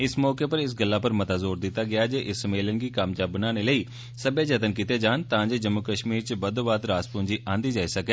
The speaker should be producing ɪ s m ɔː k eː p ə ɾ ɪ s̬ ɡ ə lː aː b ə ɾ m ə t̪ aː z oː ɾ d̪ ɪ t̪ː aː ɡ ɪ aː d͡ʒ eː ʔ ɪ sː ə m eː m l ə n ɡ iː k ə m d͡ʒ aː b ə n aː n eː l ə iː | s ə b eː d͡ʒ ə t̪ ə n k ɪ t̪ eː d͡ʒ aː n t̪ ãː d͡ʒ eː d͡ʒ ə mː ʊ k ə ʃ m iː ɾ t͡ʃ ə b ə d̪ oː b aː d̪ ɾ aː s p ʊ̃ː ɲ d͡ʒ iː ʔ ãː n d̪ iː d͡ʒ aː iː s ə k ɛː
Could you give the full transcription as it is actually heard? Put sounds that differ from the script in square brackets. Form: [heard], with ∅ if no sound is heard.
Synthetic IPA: ɪ s m ɔː k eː p ə ɾ ɪ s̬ ɡ ə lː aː [p] ə ɾ m ə t̪ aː z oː ɾ d̪ ɪ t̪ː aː ɡ ɪ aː d͡ʒ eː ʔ ɪ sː ə m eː [∅] l ə n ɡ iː k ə m d͡ʒ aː b ə n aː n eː l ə iː | s ə b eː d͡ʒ ə t̪ ə n k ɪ t̪ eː d͡ʒ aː n t̪ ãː d͡ʒ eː d͡ʒ ə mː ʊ k ə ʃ m iː ɾ t͡ʃ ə b ə d̪ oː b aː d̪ ɾ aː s p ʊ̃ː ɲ d͡ʒ iː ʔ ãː n d̪ iː d͡ʒ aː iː s ə k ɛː